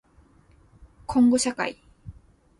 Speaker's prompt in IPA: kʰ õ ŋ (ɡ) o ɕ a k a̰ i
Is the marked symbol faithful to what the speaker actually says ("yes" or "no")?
yes